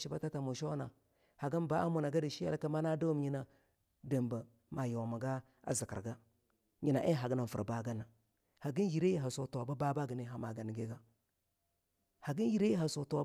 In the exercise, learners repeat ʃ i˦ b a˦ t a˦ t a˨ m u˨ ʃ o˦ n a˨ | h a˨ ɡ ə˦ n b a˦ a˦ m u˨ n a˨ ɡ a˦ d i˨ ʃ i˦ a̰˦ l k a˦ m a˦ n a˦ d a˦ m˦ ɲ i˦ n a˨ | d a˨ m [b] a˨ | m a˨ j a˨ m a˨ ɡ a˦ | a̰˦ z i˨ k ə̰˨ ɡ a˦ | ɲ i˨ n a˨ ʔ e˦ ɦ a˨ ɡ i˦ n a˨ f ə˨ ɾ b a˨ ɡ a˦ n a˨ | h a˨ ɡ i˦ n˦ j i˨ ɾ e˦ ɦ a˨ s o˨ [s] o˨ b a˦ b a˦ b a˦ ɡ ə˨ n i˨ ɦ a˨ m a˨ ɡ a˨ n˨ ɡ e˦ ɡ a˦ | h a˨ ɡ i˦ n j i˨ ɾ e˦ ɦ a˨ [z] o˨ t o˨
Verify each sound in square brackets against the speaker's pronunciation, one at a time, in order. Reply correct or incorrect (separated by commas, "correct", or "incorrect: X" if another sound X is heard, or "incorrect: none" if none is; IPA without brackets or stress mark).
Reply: correct, incorrect: t, incorrect: s